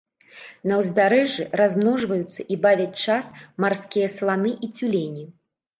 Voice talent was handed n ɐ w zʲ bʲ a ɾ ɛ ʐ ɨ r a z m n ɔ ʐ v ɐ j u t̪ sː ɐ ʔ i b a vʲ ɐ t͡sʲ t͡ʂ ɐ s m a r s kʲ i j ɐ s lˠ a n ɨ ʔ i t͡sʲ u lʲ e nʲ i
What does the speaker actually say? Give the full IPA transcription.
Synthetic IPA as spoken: n ɐ w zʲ bʲ a ɾ ɛ ʐ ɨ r a z m n ɔ ʐ v ɐ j u t̪ sː ɐ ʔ i b a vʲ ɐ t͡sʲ t͡ʂ a s m a r s kʲ i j ɐ s lˠ a n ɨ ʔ i t͡sʲ u lʲ e nʲ i